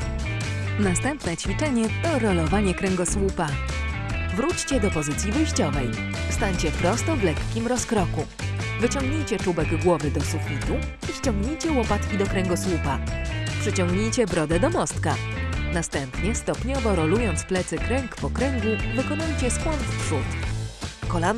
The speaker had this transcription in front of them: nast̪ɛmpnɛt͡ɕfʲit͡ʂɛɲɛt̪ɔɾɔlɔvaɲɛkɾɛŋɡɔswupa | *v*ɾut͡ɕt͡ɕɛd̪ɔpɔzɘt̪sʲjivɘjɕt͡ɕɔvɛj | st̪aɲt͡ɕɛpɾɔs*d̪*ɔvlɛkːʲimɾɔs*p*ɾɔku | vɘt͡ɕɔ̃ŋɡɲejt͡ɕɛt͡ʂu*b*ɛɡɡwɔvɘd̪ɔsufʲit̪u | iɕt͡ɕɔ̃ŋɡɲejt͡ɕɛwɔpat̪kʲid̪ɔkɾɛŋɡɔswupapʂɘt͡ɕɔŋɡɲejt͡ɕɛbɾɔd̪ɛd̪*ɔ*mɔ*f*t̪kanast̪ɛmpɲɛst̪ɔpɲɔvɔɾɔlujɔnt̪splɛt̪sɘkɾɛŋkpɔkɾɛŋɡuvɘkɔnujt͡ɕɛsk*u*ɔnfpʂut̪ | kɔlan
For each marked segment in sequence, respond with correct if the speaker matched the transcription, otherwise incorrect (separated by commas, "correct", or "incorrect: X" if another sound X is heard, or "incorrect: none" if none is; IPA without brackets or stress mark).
correct, incorrect: t̪, incorrect: k, correct, correct, incorrect: s, incorrect: w